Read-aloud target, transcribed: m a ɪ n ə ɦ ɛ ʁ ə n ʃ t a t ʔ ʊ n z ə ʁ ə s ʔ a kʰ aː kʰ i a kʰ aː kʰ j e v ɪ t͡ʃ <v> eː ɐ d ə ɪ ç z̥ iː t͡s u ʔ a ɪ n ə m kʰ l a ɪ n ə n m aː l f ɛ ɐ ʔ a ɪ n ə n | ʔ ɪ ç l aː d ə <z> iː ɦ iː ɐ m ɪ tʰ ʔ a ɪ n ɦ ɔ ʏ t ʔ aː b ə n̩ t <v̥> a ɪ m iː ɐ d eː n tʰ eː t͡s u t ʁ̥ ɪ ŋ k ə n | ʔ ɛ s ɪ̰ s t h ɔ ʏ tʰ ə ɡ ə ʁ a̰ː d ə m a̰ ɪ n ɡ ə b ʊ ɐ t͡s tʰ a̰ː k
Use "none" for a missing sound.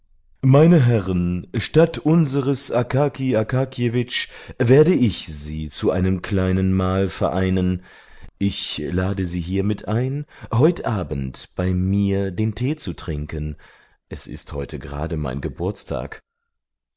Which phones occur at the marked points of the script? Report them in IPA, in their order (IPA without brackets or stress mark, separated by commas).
v, z, b̥